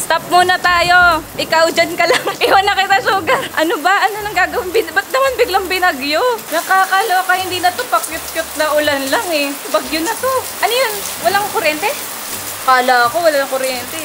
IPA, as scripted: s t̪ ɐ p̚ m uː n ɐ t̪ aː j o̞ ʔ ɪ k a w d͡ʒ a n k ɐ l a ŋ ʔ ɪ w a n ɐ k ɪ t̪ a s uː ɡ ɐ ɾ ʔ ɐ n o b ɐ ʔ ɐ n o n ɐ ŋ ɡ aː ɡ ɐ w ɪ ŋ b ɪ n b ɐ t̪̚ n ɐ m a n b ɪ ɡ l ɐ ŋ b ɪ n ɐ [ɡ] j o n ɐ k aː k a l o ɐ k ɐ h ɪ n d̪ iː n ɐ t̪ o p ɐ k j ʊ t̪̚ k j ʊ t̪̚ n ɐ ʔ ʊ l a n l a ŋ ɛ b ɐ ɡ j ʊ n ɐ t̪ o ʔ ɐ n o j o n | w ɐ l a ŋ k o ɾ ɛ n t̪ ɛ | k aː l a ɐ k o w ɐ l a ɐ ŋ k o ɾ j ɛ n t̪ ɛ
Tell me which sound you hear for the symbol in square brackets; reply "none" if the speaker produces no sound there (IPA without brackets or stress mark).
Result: ɡ